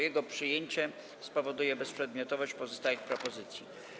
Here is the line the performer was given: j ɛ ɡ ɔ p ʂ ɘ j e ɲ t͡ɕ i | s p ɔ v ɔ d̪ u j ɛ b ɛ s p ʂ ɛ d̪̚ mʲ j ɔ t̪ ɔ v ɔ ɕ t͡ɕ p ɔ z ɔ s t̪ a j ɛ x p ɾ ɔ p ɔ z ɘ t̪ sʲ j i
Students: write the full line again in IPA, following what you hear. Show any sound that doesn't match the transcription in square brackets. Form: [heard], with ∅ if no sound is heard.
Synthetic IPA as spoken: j ɛ ɡ ɔ p ʂ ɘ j e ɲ t͡ɕ [ɛ] | s p ɔ v ɔ d̪ u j ɛ b ɛ s p ʂ ɛ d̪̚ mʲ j ɔ t̪ ɔ v ɔ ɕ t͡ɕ p ɔ z ɔ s t̪ a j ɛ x p ɾ ɔ p ɔ z ɘ t̪ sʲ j i